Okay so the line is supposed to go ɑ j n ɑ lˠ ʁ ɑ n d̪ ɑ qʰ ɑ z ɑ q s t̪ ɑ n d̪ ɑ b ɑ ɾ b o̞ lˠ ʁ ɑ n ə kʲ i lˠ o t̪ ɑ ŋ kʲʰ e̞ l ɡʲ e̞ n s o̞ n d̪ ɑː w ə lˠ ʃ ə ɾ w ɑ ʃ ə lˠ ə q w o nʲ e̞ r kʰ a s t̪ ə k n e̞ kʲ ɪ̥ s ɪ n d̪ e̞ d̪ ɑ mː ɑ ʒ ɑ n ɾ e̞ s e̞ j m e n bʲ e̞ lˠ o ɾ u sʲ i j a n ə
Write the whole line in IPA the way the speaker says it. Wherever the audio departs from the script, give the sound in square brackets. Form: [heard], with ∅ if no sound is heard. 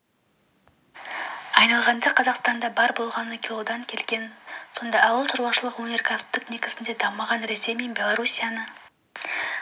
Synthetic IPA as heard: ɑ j n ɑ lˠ ʁ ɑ n d̪ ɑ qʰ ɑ z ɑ q s t̪ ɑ n d̪ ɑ b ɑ ɾ b o̞ lˠ ʁ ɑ n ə kʲ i lˠ o [d̪] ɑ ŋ kʲʰ e̞ l ɡʲ e̞ n s o̞ n d̪ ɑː w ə lˠ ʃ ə ɾ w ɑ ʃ ə lˠ ə q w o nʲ e̞ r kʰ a s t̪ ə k n e̞ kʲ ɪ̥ s ɪ n d̪ e̞ d̪ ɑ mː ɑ [ʁ] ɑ n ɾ e̞ s e̞ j m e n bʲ e̞ lˠ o ɾ u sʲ i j a n ə